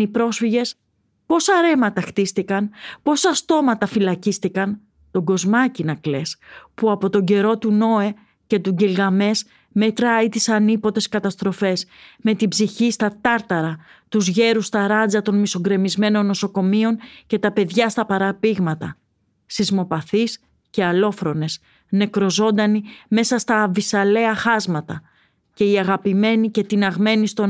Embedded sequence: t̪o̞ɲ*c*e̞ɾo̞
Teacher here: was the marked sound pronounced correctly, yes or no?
no